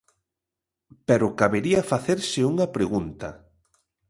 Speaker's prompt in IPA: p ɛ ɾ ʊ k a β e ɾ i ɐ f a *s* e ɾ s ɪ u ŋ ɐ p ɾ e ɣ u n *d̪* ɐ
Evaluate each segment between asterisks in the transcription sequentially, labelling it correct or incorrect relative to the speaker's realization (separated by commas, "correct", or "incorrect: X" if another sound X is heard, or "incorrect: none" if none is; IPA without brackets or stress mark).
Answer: incorrect: θ, incorrect: t̪